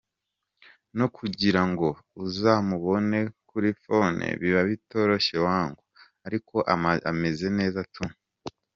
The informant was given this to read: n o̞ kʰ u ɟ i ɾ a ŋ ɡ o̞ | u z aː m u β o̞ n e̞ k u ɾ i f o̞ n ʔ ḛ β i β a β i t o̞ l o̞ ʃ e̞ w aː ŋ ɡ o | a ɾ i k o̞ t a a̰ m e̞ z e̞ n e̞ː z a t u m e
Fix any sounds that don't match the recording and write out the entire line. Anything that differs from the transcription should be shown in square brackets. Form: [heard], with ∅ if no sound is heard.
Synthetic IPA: n o̞ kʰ u ɟ i ɾ a ŋ ɡ o̞ | u z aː m u β o̞ n e̞ k u ɾ i f o̞ n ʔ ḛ β i β a β i t o̞ [ɾ] o̞ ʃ e̞ w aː ŋ ɡ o | a ɾ i k o̞ [ʔ] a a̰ m e̞ z e̞ n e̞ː z a t u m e